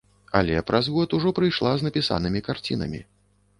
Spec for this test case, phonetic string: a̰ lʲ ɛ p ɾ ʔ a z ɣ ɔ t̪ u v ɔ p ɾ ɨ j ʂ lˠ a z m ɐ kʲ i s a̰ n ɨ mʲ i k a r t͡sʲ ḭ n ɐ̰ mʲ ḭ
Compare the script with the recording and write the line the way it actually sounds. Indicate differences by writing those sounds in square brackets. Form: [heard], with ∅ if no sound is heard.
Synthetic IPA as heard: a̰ lʲ ɛ p ɾ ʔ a z ɣ ɔ t̪ u [ʐ] ɔ p ɾ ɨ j ʂ lˠ a z [n] ɐ [pʲ] i s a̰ n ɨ mʲ i k a r t͡sʲ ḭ n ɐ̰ mʲ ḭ